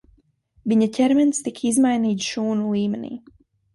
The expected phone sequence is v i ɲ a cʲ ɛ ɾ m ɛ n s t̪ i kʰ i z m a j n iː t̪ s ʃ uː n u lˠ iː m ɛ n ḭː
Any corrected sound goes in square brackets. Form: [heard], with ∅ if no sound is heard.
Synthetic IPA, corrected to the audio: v i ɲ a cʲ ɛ ɾ m ɛ n s t̪ i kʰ i z m a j n iː t̪ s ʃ uː n u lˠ iː m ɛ n ḭː